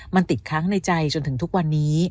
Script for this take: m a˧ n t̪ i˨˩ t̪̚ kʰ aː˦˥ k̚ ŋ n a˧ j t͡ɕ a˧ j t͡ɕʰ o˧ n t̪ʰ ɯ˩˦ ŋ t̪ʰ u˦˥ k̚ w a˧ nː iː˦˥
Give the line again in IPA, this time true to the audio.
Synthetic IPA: m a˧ n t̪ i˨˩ t̪̚ kʰ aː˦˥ ŋ n a˧ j t͡ɕ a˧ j t͡ɕ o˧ n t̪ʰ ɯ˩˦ ŋ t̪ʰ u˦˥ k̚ w a˧ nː iː˦˥